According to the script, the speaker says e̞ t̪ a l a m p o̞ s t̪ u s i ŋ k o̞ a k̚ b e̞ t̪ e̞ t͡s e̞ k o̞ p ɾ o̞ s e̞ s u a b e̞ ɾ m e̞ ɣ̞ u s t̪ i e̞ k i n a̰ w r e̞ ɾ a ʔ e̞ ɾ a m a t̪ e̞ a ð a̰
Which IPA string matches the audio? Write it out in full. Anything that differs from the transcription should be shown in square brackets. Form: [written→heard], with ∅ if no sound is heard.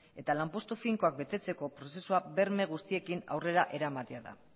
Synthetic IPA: e̞ t̪ a l a m p o̞ s t̪ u [s→f] i ŋ k o̞ a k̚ b e̞ t̪ e̞ t͡s e̞ k o̞ p ɾ o̞ s e̞ s u a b e̞ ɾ m e̞ ɣ̞ u s t̪ i e̞ k i n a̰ w r e̞ ɾ a ʔ e̞ ɾ a m a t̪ e̞ a ð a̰

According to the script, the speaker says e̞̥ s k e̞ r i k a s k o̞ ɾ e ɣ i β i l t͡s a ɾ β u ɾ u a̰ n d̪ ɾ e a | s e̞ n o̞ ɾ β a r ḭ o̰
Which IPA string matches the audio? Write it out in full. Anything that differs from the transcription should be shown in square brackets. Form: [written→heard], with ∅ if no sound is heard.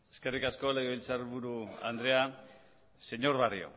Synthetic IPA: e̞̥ s k e̞ r i k a s k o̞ [ɾ→l] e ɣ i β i l t͡s a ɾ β u ɾ u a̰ n d̪ ɾ e a | s e̞ [n→ɲ] o̞ ɾ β a r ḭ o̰

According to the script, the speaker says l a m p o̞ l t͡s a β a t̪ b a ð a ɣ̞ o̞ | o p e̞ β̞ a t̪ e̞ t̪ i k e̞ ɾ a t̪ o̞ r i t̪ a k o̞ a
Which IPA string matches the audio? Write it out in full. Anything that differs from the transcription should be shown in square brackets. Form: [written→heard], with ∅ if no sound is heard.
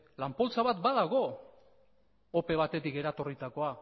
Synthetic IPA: l a m p o̞ l t͡s a β a t̪ b a ð a ɣ̞ o̞ | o p e̞ β̞ a t̪ e̞ t̪ i k e̞ ɾ a t̪ o̞ r i t̪ a k o̞ a

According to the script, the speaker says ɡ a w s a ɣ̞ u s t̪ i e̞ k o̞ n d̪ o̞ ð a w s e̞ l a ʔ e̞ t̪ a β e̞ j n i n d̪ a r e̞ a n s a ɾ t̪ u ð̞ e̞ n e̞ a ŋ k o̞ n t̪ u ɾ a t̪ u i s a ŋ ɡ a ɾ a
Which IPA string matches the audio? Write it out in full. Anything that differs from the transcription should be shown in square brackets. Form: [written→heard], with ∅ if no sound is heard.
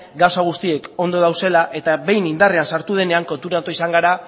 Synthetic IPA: ɡ a w s a ɣ̞ u s t̪ i e̞ k o̞ n d̪ o̞ ð a w s e̞ l a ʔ e̞ t̪ a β e̞ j n i n d̪ a r e̞ a n s a ɾ t̪ u ð̞ e̞ n e̞ a ŋ k o̞ n t̪ u ɾ a t̪ [u→o] i s a ŋ ɡ a ɾ a

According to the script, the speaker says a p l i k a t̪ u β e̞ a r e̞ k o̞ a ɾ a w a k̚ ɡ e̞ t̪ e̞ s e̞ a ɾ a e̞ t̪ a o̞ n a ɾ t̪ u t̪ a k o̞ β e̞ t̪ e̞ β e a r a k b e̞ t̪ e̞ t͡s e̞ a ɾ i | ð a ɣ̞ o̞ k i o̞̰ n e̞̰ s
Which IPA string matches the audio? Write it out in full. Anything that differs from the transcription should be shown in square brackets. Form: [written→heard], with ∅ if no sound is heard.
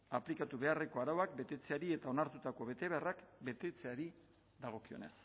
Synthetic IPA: a p l i k a t̪ u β e̞ a r e̞ k o̞ a ɾ a w a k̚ [ɡ→b] e̞ t̪ e̞ [s→t͡s] e̞ a ɾ [a→i] e̞ t̪ a o̞ n a ɾ t̪ u t̪ a k o̞ β e̞ t̪ e̞ β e a r a k b e̞ t̪ e̞ t͡s e̞ a ɾ i | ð a ɣ̞ o̞ k i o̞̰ n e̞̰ s

